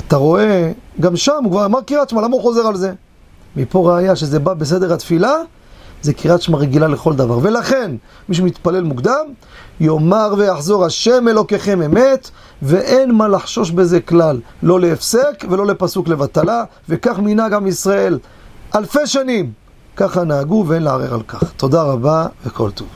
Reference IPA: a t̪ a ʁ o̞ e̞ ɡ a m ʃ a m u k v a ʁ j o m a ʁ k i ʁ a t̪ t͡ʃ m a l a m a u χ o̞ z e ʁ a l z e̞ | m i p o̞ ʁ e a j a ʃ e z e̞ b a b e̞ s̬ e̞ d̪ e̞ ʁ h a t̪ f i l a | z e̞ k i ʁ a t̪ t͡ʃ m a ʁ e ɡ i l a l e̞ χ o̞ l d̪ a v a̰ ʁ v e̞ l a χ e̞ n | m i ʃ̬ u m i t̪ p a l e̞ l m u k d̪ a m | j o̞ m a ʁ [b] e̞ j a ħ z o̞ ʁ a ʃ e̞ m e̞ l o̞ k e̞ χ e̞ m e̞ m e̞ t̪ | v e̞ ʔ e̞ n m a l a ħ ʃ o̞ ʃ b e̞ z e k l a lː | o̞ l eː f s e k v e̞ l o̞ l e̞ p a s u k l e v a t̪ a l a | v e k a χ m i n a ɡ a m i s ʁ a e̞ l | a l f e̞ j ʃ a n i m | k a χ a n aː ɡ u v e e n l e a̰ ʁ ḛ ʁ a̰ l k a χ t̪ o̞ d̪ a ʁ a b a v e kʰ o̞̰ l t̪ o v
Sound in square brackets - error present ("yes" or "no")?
yes